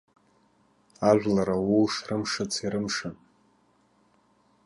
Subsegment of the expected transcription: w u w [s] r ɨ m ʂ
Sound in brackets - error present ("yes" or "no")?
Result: yes